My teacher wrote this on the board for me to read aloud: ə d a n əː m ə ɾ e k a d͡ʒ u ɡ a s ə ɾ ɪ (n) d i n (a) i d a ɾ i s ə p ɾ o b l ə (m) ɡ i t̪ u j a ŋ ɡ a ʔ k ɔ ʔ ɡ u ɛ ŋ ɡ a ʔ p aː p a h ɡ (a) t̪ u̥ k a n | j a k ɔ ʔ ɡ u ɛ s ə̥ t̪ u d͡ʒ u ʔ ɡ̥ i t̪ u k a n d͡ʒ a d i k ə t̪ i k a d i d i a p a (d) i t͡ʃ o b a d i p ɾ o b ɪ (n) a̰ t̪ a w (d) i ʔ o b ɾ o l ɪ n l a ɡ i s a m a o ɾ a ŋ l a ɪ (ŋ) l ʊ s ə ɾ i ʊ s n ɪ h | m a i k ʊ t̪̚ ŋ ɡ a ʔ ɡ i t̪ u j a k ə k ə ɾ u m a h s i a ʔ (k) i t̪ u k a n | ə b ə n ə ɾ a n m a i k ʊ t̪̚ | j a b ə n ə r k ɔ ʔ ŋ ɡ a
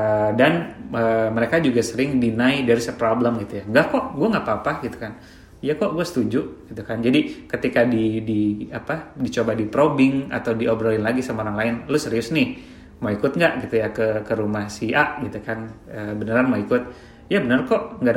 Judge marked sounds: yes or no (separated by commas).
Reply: no, yes, yes, no, yes, no, yes, no, no